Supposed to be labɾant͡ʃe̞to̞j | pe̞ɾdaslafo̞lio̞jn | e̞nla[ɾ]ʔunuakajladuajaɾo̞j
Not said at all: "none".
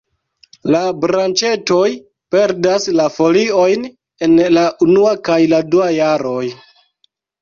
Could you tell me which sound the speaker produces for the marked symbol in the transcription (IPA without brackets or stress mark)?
none